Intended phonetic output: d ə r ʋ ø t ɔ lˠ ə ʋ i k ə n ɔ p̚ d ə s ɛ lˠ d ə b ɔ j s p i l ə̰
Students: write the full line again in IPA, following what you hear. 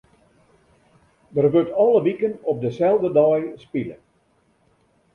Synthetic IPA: d ə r ʋ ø t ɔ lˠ ə ʋ i k ə n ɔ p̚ d ə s ɛ lˠ d ə d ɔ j s p i l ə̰